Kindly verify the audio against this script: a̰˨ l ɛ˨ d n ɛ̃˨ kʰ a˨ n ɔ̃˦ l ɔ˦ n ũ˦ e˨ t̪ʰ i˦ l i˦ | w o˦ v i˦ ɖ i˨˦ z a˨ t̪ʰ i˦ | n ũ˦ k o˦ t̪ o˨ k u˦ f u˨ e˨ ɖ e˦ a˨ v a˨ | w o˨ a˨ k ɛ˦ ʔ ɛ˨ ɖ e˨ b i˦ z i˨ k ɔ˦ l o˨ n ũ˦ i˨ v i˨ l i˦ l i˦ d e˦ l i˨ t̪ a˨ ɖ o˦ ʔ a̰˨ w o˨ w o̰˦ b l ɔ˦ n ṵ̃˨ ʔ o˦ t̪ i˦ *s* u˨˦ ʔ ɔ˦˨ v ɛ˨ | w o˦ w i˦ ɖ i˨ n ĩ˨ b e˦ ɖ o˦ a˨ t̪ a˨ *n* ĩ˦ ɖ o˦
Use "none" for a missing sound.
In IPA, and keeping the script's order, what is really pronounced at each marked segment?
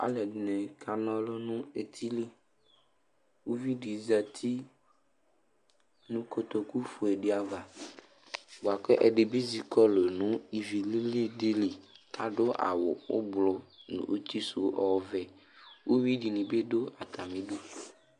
s, m

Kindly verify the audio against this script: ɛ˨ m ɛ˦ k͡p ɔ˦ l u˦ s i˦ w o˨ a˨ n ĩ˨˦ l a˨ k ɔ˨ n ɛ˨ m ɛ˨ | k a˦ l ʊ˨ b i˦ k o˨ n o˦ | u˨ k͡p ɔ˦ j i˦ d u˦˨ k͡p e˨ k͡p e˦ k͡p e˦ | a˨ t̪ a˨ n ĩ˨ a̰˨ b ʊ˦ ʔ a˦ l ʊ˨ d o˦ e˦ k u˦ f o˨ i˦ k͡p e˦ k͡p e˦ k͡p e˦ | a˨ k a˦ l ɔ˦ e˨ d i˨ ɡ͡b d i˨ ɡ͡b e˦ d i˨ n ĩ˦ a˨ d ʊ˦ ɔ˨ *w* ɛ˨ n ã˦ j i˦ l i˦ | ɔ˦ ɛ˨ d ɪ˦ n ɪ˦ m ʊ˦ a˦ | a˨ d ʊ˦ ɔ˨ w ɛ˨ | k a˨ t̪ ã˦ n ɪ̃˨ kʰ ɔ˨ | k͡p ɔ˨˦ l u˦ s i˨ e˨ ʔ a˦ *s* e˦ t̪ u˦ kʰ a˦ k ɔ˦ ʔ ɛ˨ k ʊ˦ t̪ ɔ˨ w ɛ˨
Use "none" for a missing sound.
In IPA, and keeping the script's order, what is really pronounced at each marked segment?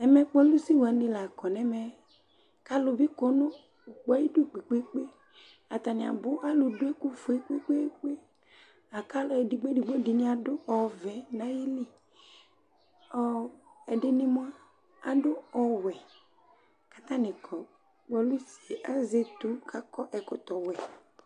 v, z

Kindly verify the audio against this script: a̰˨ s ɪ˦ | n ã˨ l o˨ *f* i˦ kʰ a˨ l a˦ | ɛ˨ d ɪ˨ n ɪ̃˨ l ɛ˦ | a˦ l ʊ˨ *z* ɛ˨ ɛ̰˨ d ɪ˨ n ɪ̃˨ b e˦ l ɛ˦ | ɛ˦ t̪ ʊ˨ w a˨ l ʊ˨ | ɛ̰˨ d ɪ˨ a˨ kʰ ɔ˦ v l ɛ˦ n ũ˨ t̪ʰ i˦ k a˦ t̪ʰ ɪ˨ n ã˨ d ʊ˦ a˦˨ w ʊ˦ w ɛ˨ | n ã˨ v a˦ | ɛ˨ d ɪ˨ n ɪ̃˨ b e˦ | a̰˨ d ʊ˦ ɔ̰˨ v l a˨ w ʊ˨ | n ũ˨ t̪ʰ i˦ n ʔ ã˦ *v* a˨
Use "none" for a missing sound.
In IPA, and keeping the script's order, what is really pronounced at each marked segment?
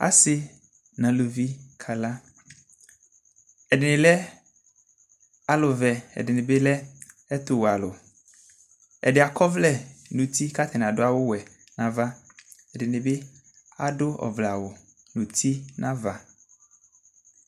v, v, v

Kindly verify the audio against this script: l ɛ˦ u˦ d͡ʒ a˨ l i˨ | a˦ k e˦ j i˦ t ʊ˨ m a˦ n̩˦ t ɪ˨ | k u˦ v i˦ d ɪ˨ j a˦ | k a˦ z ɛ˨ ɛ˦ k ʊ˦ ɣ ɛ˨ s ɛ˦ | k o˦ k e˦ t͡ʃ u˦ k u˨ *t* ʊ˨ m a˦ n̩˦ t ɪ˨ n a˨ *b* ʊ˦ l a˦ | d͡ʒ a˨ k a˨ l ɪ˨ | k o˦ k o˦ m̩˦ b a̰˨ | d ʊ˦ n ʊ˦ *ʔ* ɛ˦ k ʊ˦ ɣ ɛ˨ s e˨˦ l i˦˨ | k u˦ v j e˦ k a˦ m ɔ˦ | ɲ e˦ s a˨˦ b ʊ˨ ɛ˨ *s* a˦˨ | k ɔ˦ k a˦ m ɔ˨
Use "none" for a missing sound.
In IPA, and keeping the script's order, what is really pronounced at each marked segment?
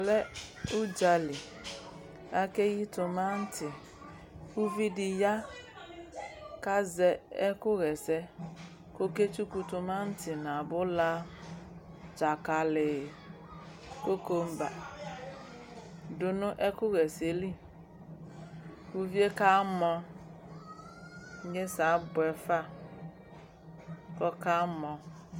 t, b, ʔ, f

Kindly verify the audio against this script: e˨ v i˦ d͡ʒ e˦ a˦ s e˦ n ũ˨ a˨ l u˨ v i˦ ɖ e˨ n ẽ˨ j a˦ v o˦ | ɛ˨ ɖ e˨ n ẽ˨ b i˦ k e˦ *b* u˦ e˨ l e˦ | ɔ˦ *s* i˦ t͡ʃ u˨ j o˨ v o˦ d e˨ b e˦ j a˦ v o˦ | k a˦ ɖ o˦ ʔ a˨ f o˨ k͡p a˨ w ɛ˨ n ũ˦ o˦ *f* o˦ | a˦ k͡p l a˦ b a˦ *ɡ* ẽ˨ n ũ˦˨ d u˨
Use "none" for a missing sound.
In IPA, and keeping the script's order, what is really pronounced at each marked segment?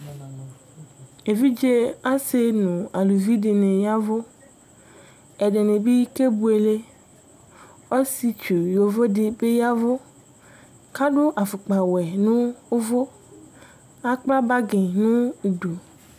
b, s, v, ɡ

